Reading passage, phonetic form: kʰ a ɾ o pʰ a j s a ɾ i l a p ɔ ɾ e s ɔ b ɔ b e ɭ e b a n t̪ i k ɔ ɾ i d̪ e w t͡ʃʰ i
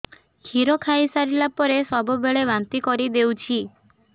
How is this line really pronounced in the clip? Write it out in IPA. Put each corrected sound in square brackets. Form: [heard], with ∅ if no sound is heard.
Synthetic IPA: kʰ [i] ɾ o [kʰ] a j s a ɾ i l a p ɔ ɾ e s ɔ b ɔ b e ɭ e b a n t̪ i k ɔ ɾ i d̪ e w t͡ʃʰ i

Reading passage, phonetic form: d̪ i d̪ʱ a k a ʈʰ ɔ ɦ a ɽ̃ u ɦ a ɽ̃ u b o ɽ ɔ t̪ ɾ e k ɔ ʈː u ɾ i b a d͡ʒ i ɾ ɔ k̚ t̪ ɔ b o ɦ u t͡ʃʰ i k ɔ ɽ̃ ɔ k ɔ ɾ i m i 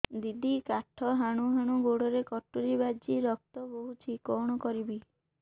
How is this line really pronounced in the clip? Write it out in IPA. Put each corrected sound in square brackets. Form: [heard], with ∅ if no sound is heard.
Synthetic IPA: d̪ i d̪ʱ [i] k a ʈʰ ɔ ɦ a ɽ̃ u ɦ a ɽ̃ u [ɡ] o ɽ ɔ [∅] ɾ e k ɔ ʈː u ɾ i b a d͡ʒ i ɾ ɔ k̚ t̪ ɔ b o ɦ u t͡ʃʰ i k ɔ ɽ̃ ɔ k ɔ ɾ i [b] i

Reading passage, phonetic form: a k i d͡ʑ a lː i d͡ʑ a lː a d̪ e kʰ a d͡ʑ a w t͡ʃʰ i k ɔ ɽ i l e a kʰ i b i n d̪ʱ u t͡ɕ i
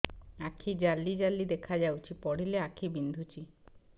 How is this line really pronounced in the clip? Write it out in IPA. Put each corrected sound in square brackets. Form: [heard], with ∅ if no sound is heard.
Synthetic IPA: a [kʰ] i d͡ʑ a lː i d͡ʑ a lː [i] d̪ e kʰ a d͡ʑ a w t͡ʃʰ i [p] ɔ ɽ i l e a kʰ i b i n d̪ʱ u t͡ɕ i

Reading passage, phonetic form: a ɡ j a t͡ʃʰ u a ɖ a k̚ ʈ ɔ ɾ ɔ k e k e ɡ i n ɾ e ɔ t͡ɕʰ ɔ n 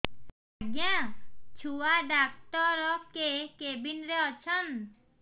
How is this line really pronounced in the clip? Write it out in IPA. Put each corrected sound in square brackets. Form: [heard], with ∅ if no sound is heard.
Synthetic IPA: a ɡ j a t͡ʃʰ u a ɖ a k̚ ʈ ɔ ɾ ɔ k e k e [b] i n ɾ e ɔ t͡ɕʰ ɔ n

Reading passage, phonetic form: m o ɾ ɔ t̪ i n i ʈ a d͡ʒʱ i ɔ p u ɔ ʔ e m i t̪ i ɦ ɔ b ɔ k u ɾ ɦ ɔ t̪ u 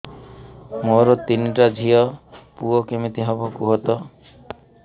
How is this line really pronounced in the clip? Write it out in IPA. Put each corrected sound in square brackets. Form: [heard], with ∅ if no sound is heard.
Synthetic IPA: m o ɾ ɔ t̪ i n i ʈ a d͡ʒʱ i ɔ p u ɔ [k] e m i t̪ i ɦ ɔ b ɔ k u [∅] ɦ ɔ t̪ [ɔ]

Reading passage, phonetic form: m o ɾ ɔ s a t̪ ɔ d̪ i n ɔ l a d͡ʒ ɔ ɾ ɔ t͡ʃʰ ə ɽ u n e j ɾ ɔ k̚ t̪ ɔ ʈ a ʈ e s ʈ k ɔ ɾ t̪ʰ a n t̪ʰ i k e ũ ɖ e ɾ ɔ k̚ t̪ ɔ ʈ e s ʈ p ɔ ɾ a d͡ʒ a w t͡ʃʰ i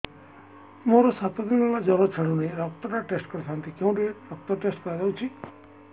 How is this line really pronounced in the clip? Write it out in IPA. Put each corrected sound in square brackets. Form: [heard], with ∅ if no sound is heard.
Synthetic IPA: m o ɾ ɔ s a t̪ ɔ d̪ i n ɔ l a d͡ʒ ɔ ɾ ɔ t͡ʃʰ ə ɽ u n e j ɾ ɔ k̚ t̪ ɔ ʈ a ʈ e s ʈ k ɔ ɾ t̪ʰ a n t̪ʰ i k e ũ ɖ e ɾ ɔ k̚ t̪ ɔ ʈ e s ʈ [k] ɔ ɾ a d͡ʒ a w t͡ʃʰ i

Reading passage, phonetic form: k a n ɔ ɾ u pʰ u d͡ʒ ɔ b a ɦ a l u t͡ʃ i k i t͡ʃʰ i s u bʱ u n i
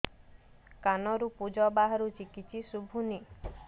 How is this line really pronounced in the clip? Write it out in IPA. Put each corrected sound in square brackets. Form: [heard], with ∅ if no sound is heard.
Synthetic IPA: k a n ɔ ɾ u [p] u d͡ʒ ɔ b a ɦ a [ɾ] u t͡ʃ i k i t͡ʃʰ i s u bʱ u n i

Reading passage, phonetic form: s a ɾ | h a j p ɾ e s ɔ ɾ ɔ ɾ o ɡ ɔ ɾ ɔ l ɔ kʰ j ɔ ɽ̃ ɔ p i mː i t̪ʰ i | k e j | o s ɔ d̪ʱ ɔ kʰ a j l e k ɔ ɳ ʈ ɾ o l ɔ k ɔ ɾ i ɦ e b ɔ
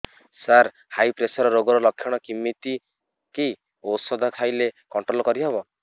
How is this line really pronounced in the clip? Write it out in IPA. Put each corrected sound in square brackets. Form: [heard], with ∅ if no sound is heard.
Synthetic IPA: s a ɾ | h a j p ɾ e s ɔ ɾ ɔ ɾ o ɡ ɔ ɾ ɔ l ɔ kʰ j ɔ ɽ̃ ɔ [k] i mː i [t̪] i | k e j | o s ɔ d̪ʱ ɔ kʰ a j l e k ɔ ɳ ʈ ɾ o l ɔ k ɔ ɾ i ɦ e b ɔ

